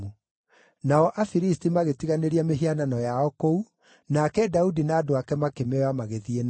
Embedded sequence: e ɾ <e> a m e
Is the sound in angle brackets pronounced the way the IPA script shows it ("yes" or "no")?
no